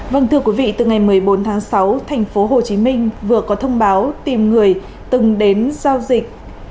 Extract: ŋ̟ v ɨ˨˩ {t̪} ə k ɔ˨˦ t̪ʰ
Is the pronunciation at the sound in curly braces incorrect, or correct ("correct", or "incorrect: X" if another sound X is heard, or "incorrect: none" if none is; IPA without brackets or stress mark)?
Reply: incorrect: none